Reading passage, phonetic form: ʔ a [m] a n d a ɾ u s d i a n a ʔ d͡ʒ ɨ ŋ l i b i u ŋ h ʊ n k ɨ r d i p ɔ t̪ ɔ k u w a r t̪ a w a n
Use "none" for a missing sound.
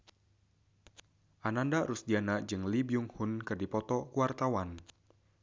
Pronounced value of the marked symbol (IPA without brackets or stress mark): n